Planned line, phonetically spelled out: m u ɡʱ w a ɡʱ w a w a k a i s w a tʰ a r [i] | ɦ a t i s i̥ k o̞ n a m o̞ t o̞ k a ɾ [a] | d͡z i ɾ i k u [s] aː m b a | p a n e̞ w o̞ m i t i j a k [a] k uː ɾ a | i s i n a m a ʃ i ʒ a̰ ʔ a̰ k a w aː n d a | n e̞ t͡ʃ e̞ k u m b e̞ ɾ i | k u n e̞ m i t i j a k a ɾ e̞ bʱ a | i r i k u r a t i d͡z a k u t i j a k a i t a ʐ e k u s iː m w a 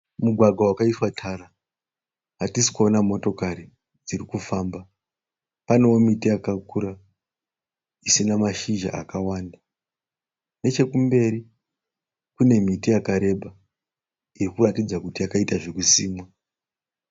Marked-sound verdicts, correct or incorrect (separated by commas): incorrect, incorrect, incorrect, correct